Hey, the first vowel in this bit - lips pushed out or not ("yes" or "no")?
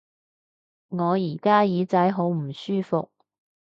yes